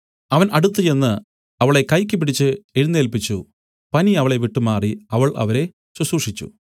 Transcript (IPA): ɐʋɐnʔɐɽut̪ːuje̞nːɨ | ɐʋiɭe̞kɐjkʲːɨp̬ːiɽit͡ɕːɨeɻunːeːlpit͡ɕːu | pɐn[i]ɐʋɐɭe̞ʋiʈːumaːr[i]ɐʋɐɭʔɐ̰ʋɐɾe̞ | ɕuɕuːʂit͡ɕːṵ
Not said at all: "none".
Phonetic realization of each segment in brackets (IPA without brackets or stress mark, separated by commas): i, i